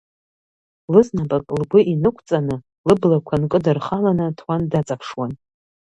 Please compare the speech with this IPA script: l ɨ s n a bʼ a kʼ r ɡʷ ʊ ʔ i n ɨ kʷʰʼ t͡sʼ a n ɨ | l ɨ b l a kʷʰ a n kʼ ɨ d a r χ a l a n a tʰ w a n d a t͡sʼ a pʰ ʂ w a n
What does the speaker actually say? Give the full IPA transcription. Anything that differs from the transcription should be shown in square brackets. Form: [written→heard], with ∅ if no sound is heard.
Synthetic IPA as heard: l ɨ [s→z] n a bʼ a kʼ [r→l] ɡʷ ʊ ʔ i n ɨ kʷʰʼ t͡sʼ a n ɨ | l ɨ b l a kʷʰ a n kʼ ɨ d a r χ a l a n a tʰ w a n d a t͡sʼ a pʰ ʂ w a n